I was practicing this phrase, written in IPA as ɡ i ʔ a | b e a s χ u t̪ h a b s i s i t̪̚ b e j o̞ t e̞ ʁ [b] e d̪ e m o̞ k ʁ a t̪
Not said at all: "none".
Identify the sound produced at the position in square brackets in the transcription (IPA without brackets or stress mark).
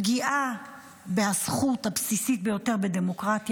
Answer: b